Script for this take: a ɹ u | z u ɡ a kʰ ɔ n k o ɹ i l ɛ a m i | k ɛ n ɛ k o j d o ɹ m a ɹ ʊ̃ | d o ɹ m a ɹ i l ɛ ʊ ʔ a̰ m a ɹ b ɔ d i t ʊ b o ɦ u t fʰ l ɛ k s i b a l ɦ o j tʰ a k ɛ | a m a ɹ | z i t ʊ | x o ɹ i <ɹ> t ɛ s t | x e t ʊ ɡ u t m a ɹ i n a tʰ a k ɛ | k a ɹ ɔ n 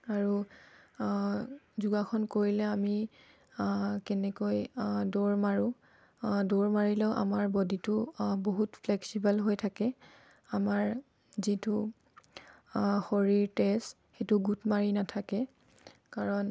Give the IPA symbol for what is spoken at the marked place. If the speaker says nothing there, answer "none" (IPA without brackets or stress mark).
ɹ